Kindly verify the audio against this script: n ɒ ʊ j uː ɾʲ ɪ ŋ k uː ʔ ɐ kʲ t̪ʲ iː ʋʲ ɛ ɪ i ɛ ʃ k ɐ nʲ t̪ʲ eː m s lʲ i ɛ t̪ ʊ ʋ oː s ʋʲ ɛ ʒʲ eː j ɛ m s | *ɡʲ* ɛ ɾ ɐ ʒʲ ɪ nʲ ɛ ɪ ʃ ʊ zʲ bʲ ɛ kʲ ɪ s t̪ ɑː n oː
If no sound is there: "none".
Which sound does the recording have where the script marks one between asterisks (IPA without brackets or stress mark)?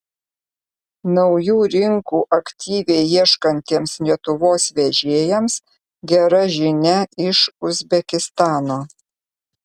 ɡʲ